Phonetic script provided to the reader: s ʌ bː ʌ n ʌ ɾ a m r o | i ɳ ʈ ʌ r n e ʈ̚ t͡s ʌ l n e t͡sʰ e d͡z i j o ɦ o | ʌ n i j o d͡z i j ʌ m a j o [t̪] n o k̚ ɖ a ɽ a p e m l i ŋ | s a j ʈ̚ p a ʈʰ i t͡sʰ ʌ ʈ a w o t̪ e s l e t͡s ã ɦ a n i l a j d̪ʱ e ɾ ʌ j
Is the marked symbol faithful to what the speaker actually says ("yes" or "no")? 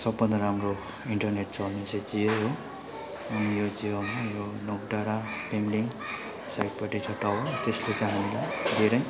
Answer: no